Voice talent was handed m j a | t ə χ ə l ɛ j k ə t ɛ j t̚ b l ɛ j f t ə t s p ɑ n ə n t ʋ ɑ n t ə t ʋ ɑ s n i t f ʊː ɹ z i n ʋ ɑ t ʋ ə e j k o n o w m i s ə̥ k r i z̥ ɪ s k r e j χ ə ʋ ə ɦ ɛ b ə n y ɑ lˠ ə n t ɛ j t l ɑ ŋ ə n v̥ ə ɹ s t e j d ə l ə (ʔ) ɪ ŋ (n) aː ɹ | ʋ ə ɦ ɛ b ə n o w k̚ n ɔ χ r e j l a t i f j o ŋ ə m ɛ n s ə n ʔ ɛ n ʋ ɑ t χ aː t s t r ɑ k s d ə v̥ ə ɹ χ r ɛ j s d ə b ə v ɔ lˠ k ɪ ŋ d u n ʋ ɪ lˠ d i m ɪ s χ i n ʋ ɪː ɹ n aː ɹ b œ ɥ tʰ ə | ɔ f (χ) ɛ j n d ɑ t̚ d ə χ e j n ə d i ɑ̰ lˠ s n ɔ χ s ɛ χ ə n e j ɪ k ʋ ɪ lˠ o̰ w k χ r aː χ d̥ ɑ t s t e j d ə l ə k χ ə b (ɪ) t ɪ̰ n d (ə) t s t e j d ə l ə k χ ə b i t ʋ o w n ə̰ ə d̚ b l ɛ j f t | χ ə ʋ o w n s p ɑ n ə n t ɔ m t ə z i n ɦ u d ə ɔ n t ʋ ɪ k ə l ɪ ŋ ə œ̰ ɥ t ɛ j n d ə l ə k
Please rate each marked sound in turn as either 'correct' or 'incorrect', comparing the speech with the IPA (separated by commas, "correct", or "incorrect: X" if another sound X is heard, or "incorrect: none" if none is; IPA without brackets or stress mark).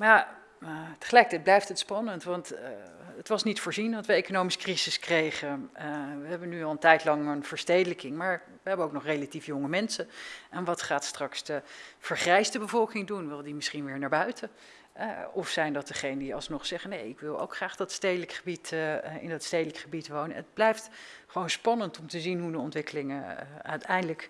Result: incorrect: k, incorrect: m, incorrect: s, incorrect: i, incorrect: ɑ